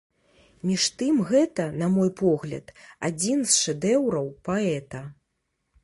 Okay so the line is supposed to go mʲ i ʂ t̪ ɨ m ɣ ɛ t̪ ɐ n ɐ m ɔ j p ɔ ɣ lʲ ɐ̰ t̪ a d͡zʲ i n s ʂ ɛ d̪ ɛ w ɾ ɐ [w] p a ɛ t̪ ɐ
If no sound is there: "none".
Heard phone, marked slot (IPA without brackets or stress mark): w